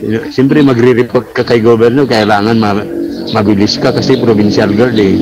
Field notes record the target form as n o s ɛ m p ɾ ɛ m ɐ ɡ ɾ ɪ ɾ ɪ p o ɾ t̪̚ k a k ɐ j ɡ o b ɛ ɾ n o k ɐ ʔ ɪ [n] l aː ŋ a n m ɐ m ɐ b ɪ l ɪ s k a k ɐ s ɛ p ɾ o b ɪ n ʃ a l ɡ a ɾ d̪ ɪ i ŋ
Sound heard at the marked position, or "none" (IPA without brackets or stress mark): none